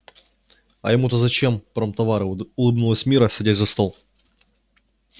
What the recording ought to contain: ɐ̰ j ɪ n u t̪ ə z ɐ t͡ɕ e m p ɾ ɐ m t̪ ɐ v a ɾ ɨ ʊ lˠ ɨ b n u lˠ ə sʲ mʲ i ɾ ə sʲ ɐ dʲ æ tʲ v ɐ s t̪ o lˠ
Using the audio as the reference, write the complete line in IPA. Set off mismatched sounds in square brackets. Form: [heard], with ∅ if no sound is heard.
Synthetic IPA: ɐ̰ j ɪ [m] u t̪ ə z ɐ t͡ɕ e m p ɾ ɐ m t̪ ɐ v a ɾ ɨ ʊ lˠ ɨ b n u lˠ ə sʲ mʲ i ɾ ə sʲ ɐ dʲ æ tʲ [z] ɐ s t̪ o lˠ